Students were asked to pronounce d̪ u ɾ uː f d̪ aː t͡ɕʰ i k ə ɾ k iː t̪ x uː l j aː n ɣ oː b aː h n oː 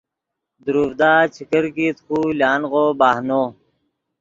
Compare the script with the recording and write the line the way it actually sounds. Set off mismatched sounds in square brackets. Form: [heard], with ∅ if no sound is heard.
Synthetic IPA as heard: d̪ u ɾ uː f d̪ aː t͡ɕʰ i k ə ɾ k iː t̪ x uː l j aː n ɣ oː b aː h n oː

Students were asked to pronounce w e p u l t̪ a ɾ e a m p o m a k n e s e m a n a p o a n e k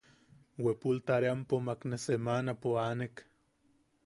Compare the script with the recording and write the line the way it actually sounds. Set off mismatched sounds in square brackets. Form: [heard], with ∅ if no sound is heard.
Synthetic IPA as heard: w e p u l t̪ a ɾ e a m p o m a k n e s e m a n a p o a n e k

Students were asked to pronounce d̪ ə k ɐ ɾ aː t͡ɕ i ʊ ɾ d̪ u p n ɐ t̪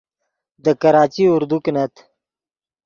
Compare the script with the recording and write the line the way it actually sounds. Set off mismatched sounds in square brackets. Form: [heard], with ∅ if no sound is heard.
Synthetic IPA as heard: d̪ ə k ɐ ɾ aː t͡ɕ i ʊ ɾ d̪ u [k] n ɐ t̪

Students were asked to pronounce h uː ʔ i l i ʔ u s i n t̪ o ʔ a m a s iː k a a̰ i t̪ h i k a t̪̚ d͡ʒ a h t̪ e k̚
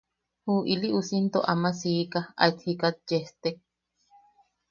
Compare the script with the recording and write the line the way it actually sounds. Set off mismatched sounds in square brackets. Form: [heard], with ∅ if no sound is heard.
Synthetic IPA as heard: h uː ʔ i l i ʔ u s i n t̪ o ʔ a m a s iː k a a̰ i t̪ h i k a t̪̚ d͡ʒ [e] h t̪ e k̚

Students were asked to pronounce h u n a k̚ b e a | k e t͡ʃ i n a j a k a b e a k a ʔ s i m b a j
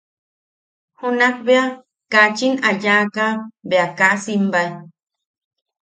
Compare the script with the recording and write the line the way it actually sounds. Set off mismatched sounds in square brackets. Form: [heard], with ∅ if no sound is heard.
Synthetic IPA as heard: h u n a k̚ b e a | k [a] t͡ʃ i n a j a k a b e a k a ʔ s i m b a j

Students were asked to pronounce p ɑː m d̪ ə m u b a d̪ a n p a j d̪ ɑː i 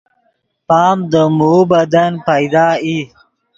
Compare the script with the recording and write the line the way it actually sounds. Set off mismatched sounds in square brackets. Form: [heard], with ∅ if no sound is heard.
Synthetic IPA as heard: p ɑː m d̪ ə m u b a d̪ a n p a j d̪ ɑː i

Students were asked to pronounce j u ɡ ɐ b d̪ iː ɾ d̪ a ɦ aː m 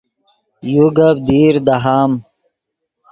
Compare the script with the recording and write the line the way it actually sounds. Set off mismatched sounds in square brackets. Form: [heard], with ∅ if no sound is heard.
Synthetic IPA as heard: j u ɡ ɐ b d̪ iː ɾ d̪ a ɦ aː m

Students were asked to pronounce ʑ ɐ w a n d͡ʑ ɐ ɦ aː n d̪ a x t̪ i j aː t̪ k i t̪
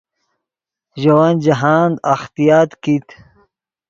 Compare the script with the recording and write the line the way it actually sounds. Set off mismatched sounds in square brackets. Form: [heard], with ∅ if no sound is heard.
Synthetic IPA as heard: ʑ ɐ w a n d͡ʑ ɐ ɦ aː n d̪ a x t̪ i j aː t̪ k i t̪

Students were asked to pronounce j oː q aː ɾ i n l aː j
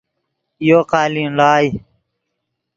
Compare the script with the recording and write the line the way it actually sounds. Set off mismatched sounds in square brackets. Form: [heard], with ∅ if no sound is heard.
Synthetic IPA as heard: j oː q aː [l] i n l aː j

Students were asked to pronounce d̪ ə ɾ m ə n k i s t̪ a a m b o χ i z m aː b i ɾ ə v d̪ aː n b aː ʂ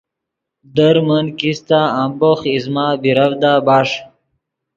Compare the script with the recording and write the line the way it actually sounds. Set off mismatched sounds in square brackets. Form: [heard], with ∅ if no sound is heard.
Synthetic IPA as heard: d̪ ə ɾ m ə n k i s t̪ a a m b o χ i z m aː b i ɾ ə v d̪ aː [∅] b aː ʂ

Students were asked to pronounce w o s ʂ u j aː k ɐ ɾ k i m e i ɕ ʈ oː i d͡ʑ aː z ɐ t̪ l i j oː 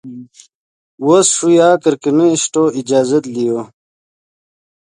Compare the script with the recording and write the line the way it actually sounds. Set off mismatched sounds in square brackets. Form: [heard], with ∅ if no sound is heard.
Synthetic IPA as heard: w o s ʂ u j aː k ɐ ɾ k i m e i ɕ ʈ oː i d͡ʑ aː z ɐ t̪ l i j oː

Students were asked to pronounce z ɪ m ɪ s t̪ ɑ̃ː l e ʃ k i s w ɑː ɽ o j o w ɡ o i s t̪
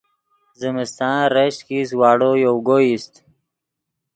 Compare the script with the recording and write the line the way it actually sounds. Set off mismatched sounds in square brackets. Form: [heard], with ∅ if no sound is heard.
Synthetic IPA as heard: z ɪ m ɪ s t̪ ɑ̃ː [ɾ] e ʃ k i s w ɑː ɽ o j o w ɡ o i s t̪

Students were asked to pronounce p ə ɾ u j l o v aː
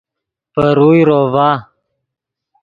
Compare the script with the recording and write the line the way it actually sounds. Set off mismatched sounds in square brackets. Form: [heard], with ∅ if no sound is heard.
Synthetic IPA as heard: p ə ɾ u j [ɾ] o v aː

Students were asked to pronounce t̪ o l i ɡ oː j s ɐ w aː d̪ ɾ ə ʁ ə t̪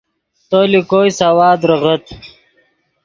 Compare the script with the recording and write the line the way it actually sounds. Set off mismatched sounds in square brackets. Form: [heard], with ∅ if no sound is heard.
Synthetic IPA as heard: t̪ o l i [k] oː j s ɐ w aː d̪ ɾ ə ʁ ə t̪

